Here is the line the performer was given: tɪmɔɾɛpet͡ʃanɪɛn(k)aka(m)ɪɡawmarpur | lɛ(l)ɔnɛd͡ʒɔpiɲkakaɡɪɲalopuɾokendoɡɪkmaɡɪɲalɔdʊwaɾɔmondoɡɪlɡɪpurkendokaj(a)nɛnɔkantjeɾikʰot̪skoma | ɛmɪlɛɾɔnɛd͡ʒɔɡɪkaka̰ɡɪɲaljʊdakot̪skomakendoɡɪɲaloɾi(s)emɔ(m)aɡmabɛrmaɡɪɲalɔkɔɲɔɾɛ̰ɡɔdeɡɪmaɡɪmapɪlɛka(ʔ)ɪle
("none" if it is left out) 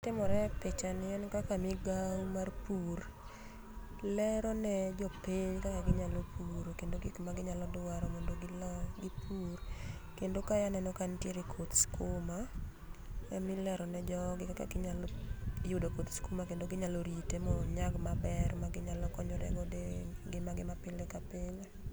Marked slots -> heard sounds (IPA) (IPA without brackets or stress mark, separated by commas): k, m, ɾ, a, t, ɲ, p